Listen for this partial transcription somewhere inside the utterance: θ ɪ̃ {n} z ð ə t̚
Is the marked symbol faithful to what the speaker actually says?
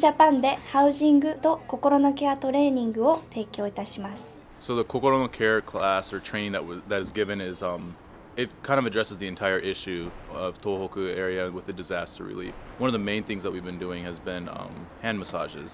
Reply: no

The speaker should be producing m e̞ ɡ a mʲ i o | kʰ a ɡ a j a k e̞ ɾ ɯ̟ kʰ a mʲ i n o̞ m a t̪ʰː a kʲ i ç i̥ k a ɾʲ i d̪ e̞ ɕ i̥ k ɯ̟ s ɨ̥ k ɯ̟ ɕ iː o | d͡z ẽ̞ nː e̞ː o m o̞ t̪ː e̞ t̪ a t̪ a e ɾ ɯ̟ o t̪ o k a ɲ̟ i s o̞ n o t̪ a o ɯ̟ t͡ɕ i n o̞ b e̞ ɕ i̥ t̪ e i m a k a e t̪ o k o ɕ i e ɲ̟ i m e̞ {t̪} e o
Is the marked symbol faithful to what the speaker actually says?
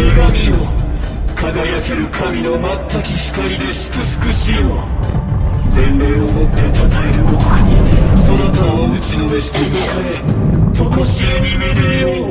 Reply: no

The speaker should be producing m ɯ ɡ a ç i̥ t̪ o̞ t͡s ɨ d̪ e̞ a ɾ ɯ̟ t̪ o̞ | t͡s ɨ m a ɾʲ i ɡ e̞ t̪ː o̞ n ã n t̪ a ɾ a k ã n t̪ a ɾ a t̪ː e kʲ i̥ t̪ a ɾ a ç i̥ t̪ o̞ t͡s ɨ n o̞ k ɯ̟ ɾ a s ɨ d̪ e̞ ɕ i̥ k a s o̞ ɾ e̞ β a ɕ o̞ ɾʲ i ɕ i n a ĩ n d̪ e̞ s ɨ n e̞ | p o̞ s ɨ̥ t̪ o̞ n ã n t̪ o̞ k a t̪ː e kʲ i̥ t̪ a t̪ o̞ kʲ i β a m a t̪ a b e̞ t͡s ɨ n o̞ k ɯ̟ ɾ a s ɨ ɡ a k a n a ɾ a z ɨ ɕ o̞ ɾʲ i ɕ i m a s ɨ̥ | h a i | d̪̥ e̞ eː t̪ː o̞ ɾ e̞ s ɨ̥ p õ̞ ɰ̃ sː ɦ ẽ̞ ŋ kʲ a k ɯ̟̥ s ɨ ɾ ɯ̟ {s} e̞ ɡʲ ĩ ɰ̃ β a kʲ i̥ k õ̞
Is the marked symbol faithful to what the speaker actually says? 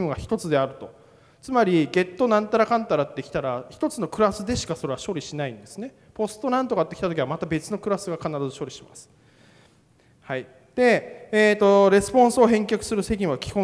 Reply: yes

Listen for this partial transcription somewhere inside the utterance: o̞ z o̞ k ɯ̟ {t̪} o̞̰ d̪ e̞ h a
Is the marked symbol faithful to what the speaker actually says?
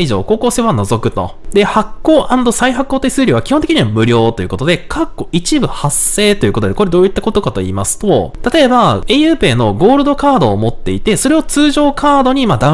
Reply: yes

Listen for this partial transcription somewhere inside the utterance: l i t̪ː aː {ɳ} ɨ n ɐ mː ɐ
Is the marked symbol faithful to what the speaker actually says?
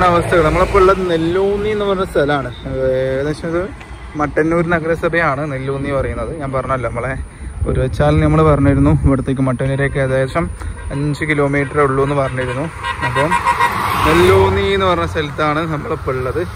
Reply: yes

